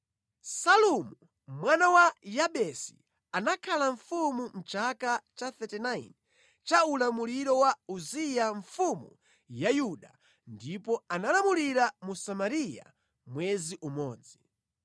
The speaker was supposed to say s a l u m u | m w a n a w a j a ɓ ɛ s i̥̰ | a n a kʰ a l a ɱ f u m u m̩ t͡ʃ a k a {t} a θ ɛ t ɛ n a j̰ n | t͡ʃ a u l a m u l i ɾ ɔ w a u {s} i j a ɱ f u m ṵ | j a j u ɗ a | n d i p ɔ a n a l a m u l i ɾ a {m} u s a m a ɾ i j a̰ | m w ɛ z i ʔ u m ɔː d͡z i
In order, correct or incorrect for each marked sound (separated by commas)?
incorrect, incorrect, correct